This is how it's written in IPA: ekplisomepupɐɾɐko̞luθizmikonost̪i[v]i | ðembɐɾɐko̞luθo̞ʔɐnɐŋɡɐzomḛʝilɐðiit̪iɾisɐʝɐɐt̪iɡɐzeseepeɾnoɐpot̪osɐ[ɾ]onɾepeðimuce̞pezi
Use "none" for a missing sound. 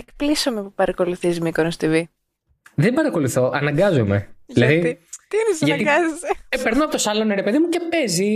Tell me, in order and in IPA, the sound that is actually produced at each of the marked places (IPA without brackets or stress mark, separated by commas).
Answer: v, l